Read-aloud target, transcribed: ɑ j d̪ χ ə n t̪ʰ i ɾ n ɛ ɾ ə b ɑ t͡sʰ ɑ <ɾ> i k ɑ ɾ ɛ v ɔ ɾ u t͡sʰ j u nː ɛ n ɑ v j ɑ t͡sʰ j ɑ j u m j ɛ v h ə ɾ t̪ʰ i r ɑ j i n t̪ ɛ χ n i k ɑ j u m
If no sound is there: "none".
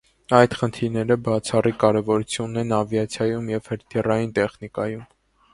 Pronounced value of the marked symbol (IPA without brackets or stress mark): r